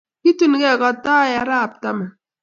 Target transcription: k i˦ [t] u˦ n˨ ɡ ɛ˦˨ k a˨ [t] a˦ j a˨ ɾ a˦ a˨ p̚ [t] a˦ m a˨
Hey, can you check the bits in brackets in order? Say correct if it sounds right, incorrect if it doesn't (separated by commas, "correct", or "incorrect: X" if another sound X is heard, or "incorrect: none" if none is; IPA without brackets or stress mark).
correct, correct, correct